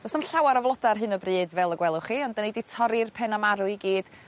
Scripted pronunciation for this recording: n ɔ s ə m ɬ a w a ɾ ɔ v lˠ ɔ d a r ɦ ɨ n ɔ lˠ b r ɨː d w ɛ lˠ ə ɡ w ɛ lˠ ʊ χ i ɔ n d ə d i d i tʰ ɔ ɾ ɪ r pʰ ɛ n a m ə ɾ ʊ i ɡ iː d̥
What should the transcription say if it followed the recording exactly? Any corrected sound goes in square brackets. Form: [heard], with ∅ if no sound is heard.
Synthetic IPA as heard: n ɔ s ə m ɬ a w a ɾ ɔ v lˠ ɔ d a r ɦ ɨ n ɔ [∅] b r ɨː d [v] ɛ lˠ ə ɡ w ɛ lˠ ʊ χ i ɔ n d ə [n] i d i tʰ ɔ ɾ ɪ r pʰ ɛ n a m [a] ɾ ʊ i ɡ iː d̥